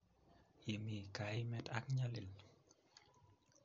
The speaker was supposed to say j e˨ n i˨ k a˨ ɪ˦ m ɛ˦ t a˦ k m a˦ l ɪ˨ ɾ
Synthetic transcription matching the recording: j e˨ m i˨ k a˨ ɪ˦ m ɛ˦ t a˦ k ɲ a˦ l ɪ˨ l